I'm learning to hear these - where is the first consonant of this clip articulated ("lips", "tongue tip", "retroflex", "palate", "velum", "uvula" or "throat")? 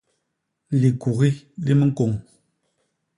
tongue tip